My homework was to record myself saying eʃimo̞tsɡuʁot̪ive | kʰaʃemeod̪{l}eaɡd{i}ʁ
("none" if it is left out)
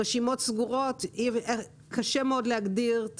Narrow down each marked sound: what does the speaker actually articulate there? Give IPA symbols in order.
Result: l, i

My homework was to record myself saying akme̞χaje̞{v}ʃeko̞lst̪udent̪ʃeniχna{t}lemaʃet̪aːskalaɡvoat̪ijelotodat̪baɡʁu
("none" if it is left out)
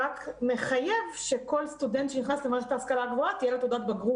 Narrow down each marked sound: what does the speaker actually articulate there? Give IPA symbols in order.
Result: v, s

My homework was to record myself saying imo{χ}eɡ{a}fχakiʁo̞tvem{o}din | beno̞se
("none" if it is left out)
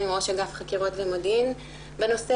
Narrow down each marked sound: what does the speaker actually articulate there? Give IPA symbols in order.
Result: ʃ, a, o

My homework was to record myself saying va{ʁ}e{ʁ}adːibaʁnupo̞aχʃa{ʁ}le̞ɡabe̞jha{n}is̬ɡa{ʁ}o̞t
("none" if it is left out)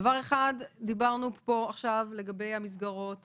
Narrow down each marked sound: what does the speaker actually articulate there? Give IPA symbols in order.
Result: ʁ, χ, v, m, ʁ

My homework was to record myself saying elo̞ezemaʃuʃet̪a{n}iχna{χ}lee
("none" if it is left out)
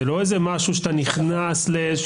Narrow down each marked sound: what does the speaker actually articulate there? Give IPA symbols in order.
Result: n, s

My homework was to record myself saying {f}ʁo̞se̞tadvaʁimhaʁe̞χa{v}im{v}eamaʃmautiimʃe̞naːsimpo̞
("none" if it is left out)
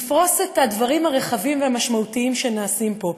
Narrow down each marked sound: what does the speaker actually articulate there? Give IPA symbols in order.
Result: f, v, v

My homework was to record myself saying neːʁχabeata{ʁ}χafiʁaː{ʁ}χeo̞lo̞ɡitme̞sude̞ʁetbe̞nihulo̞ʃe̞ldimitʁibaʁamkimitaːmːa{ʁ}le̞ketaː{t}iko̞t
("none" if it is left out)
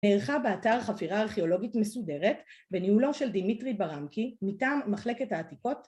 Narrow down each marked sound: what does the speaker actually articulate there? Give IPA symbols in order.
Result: ʁ, ʁ, χ, t

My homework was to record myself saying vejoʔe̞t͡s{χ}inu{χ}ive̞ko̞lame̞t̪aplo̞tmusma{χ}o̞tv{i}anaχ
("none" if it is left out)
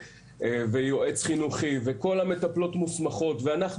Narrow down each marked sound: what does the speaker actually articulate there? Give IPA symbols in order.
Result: χ, χ, χ, e

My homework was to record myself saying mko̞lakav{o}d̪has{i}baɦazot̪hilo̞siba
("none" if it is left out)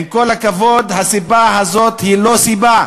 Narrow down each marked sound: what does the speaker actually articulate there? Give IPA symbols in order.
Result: o, i

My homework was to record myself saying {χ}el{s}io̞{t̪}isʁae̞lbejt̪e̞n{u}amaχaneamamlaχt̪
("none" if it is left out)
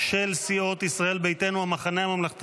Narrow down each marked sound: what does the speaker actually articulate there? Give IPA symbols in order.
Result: ʃ, s, t̪, u

